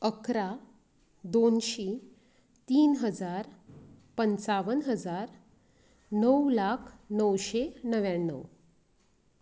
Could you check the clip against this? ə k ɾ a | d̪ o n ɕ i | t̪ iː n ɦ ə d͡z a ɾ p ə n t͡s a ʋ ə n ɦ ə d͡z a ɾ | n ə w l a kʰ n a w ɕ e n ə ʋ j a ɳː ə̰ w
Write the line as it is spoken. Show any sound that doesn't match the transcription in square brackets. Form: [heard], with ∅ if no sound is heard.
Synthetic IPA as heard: ə k ɾ a | d̪ o n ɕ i | t̪ iː n ɦ ə d͡z a ɾ p ə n t͡s a ʋ ə n ɦ ə d͡z a ɾ | n ə w l a kʰ n [ə] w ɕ e n ə ʋ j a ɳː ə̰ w